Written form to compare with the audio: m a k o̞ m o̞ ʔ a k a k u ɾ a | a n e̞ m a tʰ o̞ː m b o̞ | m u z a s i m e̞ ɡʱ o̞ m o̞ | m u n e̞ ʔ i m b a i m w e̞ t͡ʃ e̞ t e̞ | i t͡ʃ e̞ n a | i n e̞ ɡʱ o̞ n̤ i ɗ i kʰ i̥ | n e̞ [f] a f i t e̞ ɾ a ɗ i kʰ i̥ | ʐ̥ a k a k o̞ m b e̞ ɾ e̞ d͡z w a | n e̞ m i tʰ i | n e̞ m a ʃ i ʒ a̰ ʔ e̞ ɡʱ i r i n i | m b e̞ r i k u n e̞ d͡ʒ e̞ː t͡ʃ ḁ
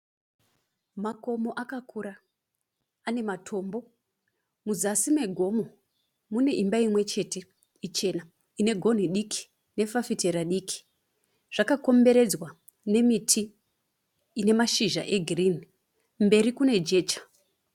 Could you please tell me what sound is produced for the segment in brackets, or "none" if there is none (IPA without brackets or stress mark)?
f